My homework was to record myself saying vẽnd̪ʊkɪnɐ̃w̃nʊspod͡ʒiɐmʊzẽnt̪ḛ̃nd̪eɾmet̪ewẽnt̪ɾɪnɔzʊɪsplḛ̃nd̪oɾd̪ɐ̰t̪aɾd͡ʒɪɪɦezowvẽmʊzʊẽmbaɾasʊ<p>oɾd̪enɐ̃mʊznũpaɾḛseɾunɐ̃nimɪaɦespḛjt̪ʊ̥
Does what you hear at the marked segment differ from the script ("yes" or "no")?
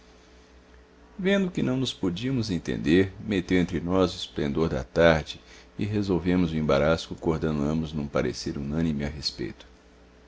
yes